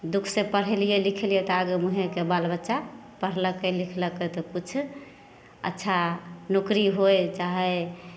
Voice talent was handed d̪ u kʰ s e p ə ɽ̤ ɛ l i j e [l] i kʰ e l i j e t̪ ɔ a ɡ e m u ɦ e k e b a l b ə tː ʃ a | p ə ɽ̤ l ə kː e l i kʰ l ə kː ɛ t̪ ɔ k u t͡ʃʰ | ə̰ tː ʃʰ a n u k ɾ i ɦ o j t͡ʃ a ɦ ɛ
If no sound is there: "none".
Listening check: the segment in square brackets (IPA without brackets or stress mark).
l